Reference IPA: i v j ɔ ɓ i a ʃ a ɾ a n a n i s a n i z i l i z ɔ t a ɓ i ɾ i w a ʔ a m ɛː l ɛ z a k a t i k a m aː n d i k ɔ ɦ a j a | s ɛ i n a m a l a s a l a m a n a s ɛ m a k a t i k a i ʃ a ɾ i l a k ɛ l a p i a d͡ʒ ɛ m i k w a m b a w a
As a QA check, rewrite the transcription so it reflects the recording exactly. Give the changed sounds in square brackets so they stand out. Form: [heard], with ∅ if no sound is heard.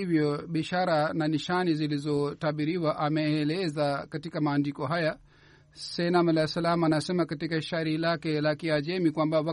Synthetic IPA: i v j ɔ ɓ i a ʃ a ɾ a n a n i [ʃ] a n i z i l i z ɔ t a ɓ i ɾ i w a ʔ a m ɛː l ɛ z a k a t i k a m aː n d i k ɔ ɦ a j a | s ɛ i n a m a l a s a l a m a n a s ɛ m a k a t i k a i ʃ a ɾ i l a k ɛ l a [k] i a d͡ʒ ɛ m i k w a m b a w a